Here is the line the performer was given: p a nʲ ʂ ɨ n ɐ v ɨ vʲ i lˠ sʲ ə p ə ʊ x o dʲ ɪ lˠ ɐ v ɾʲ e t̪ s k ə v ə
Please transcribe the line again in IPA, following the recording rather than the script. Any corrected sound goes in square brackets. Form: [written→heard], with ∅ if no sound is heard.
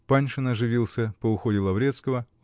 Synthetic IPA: p a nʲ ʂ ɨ n ɐ [v→ʐ] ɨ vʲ i lˠ sʲ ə p ə ʊ x o dʲ ɪ lˠ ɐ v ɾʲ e t̪ s k ə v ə